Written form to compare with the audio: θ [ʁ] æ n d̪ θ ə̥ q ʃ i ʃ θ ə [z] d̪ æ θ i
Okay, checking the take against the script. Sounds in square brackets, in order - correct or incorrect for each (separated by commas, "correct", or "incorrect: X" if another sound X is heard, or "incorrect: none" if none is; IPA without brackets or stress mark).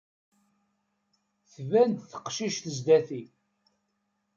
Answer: incorrect: v, correct